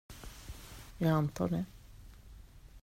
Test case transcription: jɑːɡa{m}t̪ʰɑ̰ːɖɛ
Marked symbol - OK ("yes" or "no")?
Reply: no